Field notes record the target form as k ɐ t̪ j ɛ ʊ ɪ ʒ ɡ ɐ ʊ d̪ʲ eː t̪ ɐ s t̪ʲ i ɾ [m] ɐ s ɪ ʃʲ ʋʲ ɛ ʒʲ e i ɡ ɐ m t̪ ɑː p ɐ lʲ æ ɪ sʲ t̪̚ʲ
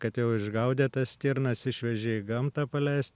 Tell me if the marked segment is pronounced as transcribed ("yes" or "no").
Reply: no